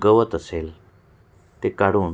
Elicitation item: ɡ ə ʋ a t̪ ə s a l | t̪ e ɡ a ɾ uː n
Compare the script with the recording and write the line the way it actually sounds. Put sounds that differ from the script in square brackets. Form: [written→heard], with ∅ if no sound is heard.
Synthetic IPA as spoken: ɡ ə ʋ [a→ə] t̪ ə s [a→e] l | t̪ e [ɡ→k] a [ɾ→ɽ] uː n